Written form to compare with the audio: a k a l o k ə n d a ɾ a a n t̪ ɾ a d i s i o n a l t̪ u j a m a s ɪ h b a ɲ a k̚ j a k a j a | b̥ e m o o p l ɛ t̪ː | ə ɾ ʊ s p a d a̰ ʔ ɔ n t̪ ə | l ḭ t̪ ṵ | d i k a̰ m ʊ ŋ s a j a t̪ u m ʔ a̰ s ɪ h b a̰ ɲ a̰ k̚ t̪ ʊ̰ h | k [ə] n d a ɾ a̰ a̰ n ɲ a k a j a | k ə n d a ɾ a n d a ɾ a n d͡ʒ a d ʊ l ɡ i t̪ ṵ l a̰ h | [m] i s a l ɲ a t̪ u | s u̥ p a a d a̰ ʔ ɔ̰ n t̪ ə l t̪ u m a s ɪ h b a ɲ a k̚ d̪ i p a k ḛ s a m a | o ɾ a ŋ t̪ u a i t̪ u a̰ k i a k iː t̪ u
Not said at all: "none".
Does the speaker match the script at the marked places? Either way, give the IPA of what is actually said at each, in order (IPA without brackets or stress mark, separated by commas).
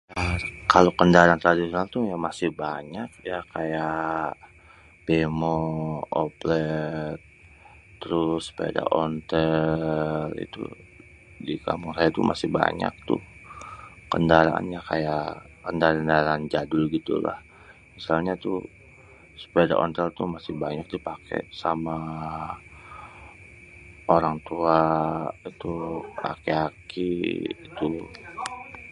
ə, m